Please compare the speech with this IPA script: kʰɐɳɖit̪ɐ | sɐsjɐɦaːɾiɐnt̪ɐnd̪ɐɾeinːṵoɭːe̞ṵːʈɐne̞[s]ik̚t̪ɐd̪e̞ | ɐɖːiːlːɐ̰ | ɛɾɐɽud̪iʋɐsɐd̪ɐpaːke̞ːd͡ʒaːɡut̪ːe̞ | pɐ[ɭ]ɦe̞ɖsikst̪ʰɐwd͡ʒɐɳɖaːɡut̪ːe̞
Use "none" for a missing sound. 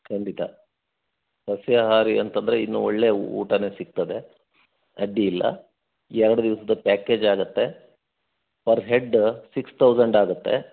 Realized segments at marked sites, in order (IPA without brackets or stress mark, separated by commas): s, ɾ